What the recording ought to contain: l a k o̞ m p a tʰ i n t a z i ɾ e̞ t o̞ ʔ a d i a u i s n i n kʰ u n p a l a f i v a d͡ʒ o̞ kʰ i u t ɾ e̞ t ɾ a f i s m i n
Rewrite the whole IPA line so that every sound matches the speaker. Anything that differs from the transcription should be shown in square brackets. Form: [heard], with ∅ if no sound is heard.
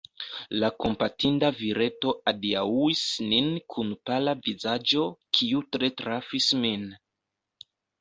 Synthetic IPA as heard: l a k o̞ m p a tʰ i n [d] a [v] i ɾ e̞ t o̞ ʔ a d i a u i s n i n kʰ u n p a l a [v] i [z] a d͡ʒ o̞ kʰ i u t ɾ e̞ t ɾ a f i s m i n